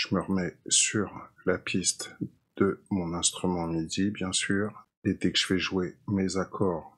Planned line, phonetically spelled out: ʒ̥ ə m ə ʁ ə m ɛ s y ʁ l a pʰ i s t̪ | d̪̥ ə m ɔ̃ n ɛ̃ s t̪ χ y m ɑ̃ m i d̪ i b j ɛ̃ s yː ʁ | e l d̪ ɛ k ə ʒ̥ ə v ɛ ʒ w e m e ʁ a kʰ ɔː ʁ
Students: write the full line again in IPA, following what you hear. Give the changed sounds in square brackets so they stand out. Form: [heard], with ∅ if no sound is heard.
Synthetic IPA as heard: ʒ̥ ə m ə ʁ ə m ɛ s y ʁ l a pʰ i s t̪ | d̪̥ ə m ɔ̃ n ɛ̃ s t̪ χ y m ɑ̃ m i d̪ i b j ɛ̃ s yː ʁ | e [∅] d̪ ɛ k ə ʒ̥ ə v ɛ ʒ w e m e [z] a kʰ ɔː ʁ